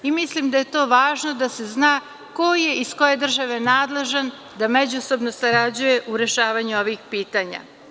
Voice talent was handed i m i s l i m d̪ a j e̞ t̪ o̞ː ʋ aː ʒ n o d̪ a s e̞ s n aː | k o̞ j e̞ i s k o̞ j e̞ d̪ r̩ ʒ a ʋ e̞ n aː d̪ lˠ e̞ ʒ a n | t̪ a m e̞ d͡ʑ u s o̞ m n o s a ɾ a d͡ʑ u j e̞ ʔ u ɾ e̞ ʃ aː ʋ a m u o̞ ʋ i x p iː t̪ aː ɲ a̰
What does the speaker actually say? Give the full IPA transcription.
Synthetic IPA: i m i s l i m d̪ a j e̞ t̪ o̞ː ʋ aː ʒ n o d̪ a s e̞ z n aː | k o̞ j e̞ i s k o̞ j e̞ d̪ r̩ ʒ a ʋ e̞ n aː d̪ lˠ e̞ ʒ a n | d̪ a m e̞ d͡ʑ u s o̞ b n o s a ɾ a d͡ʑ u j e̞ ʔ u ɾ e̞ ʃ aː ʋ a ɲ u o̞ ʋ i x p iː t̪ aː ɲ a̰